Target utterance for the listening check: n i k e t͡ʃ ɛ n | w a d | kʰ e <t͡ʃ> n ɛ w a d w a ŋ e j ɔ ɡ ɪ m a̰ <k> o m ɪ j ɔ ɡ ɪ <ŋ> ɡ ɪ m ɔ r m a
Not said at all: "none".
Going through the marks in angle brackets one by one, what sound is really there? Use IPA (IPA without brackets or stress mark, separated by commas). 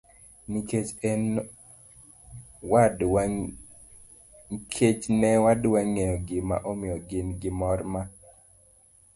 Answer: t͡ʃ, ʔ, n